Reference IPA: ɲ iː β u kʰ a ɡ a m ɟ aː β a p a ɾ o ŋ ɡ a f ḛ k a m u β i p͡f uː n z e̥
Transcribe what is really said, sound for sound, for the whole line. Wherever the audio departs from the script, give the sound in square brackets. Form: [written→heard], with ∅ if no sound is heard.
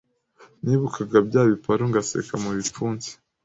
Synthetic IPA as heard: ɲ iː β u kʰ a ɡ a [m→b] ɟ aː β [a→i] p a ɾ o ŋ ɡ a [f→s] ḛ k a m u β i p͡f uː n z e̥